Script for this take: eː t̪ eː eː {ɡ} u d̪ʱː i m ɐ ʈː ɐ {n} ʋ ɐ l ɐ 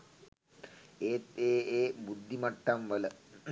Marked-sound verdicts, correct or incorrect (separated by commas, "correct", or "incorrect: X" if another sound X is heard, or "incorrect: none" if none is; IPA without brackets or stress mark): incorrect: b, incorrect: m